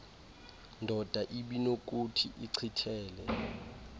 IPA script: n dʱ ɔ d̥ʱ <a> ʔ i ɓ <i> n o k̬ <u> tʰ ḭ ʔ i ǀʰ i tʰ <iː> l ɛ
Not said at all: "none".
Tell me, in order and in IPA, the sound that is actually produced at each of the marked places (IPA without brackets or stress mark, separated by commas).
a, i, u, ɛː